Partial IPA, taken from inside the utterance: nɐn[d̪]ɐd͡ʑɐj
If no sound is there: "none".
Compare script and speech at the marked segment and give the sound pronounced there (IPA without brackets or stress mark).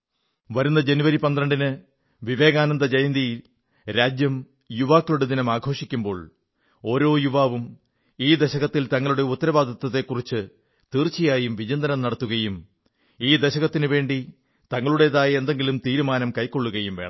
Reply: d̪